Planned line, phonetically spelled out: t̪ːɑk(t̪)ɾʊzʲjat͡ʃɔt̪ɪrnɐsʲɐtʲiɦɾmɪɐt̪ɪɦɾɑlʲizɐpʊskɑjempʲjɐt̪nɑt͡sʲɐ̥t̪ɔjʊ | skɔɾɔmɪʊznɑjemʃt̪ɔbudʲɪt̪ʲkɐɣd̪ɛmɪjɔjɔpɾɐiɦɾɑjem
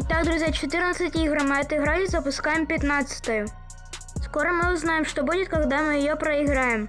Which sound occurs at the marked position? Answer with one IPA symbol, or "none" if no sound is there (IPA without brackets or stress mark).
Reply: d̪